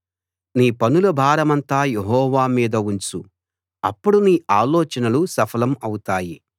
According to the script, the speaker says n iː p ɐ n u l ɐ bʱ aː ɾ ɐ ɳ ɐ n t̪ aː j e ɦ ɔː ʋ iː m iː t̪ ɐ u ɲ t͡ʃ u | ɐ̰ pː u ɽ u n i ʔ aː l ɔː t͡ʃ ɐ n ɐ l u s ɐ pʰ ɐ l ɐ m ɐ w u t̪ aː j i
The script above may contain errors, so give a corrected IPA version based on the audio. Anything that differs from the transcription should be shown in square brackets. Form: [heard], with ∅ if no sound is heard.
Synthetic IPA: n iː p ɐ n u l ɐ bʱ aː ɾ ɐ [m] ɐ n t̪ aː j e ɦ ɔː ʋ [aː] m iː [d̪] ɐ u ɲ t͡ʃ u | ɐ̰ pː u ɽ u n [iː] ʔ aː l ɔː t͡ʃ ɐ n ɐ l u s ɐ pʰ ɐ l ɐ m ɐ w u t̪ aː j i